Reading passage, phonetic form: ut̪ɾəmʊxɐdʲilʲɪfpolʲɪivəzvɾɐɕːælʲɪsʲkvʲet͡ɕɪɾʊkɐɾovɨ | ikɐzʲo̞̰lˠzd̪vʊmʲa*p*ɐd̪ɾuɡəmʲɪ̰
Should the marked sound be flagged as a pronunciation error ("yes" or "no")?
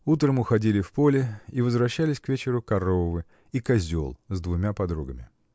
no